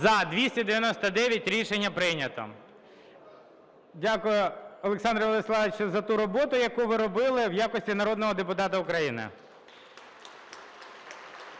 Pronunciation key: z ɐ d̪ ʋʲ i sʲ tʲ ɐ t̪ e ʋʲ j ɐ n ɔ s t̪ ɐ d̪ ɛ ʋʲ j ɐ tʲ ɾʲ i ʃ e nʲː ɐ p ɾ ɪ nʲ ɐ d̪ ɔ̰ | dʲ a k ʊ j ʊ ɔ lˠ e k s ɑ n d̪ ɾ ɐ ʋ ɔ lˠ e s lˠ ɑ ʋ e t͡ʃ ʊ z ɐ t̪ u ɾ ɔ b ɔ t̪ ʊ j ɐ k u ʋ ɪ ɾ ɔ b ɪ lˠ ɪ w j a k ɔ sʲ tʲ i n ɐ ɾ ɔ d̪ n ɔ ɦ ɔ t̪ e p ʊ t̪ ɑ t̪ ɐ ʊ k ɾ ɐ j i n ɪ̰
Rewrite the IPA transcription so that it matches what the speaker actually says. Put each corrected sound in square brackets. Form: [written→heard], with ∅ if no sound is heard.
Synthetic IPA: z ɐ d̪ ʋʲ i sʲ tʲ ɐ [t̪→d̪] e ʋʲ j ɐ n ɔ s t̪ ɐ d̪ ɛ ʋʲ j ɐ tʲ ɾʲ i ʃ e nʲː ɐ p ɾ ɪ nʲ ɐ [d̪→t̪] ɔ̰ | dʲ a k ʊ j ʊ ɔ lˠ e k s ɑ n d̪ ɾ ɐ ʋ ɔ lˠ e s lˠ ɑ ʋ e t͡ʃ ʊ z ɐ t̪ u ɾ ɔ b ɔ t̪ ʊ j ɐ k u ʋ ɪ ɾ ɔ b ɪ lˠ ɪ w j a k ɔ sʲ tʲ i n ɐ ɾ ɔ d̪ n ɔ ɦ ɔ [t̪→d̪] e p ʊ t̪ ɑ t̪ ɐ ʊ k ɾ ɐ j i n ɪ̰